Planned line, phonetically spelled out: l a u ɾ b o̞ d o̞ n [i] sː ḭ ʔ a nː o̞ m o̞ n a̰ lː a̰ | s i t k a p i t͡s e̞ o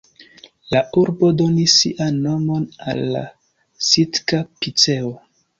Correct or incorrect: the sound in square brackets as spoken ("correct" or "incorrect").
correct